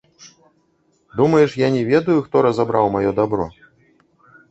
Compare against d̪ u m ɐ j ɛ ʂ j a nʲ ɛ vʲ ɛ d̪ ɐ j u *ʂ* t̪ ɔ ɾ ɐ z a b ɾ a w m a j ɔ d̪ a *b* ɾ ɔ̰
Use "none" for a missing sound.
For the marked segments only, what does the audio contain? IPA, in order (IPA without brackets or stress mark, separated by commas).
x, b